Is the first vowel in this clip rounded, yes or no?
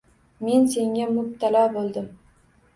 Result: no